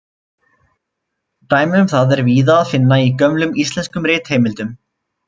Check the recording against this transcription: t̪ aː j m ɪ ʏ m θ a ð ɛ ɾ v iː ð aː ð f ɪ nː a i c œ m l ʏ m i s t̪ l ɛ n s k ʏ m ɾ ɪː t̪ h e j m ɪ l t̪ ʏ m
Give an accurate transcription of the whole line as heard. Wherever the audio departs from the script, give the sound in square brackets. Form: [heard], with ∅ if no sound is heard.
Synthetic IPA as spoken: t̪ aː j m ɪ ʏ m θ a ð ɛ ɾ v iː ð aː ð f ɪ nː a i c œ m l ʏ m i s t̪ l ɛ n s k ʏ m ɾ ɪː t̪ h e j m ɪ l t̪ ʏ m